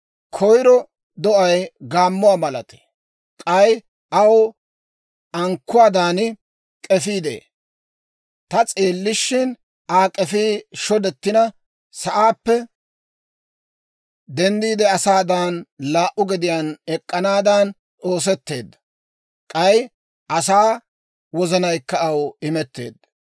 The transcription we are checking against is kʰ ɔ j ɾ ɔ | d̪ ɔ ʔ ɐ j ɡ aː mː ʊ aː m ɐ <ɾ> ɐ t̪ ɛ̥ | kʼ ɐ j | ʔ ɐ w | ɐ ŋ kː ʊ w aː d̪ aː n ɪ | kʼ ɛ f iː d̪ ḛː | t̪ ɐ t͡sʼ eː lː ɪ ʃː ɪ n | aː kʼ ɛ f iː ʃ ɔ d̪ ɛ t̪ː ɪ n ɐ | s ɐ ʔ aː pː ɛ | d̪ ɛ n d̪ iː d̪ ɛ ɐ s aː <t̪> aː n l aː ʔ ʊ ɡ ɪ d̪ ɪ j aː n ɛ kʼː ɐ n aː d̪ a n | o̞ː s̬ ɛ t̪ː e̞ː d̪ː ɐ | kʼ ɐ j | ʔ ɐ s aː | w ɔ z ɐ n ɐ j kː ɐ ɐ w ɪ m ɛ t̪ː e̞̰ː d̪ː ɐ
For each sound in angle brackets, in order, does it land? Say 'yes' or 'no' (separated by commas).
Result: no, no